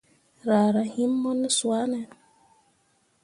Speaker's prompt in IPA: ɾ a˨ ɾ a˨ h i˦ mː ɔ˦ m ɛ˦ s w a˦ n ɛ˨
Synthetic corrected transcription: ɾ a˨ ɾ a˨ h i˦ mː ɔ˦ n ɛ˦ s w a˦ n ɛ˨